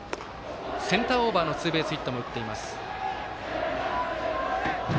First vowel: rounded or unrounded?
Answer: unrounded